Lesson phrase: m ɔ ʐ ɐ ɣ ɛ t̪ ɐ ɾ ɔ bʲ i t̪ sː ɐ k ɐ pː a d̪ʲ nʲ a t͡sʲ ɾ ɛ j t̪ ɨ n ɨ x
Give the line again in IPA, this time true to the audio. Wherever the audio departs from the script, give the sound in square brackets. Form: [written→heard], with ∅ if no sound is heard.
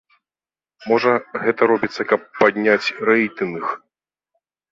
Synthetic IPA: m ɔ ʐ ɐ ɣ ɛ t̪ ɐ ɾ ɔ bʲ i t̪ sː ɐ k ɐ pː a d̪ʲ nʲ a t͡sʲ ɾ ɛ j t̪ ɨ n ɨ x